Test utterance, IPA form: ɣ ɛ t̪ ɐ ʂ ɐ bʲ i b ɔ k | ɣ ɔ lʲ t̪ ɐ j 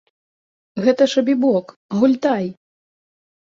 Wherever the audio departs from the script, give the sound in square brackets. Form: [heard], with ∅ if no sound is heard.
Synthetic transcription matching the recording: ɣ ɛ t̪ ɐ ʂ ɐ bʲ i b ɔ k | ɣ [u] lʲ t̪ [a] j